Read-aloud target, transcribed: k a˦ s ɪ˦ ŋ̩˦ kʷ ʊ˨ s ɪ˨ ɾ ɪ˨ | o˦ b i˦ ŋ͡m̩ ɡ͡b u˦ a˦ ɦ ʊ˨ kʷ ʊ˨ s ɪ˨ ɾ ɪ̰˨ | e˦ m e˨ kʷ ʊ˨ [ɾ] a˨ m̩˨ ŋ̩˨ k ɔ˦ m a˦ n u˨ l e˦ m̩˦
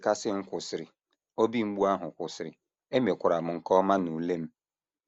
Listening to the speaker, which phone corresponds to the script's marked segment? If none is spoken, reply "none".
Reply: ɾ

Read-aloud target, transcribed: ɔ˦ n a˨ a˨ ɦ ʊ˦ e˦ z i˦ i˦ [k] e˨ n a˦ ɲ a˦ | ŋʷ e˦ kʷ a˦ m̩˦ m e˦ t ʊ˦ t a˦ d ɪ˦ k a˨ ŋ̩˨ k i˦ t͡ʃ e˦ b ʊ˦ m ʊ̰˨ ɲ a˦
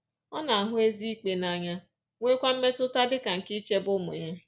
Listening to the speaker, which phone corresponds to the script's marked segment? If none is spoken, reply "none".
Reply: k͡p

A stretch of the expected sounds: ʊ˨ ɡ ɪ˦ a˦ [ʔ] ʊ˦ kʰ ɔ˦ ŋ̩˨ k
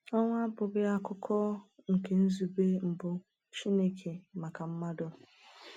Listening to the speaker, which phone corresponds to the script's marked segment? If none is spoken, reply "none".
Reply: k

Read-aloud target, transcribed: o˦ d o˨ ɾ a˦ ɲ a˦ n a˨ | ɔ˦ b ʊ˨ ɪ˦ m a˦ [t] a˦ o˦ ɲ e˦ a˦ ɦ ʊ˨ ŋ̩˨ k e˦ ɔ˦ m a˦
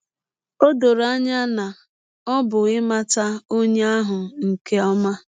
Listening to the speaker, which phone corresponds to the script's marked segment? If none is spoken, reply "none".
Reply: t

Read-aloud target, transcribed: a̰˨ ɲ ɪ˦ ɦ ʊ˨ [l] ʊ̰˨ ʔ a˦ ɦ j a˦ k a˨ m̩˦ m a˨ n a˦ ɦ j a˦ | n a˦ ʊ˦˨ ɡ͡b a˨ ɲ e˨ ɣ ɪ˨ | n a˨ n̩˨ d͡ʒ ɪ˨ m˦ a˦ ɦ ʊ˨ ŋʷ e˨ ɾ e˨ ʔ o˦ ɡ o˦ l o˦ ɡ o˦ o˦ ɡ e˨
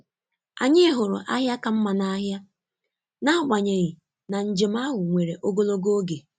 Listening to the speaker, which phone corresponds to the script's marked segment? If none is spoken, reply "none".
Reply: ɾ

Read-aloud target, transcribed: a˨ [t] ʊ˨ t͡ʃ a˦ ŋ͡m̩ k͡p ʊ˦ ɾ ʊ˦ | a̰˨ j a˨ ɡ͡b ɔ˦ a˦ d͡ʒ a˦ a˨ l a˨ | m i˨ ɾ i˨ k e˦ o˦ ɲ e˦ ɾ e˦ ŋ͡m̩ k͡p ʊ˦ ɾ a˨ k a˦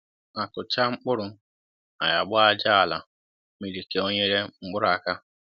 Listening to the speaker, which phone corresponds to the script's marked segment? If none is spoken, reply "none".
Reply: k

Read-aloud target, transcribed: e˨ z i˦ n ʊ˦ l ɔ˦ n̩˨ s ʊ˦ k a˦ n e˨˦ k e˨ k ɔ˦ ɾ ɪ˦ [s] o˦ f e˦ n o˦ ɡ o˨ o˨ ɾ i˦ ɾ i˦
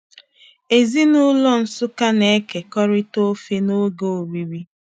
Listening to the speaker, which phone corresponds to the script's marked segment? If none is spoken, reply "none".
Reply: t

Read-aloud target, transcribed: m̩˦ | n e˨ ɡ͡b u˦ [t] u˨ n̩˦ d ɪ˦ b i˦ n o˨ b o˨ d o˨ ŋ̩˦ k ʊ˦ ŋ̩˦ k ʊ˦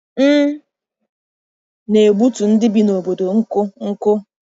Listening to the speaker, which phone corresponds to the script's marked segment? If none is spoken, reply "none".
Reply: t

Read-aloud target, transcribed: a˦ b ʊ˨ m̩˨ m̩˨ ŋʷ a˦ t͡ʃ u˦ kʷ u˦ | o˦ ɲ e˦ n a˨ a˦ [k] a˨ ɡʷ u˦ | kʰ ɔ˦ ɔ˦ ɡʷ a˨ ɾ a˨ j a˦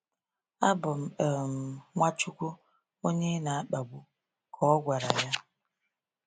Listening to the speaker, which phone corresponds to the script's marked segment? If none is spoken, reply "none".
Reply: k͡p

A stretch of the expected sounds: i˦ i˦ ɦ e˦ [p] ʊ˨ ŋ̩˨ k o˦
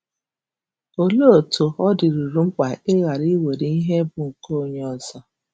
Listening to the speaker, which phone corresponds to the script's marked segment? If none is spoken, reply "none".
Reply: b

